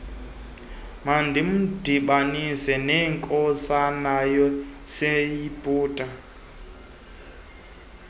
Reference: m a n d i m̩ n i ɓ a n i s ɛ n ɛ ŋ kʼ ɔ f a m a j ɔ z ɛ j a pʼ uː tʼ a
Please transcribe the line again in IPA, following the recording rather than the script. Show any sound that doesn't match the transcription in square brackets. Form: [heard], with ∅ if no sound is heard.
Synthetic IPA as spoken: m a n d i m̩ [d] i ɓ a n i s ɛ n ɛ ŋ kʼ ɔ [s] a [n] a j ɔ [s] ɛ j [i] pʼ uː tʼ a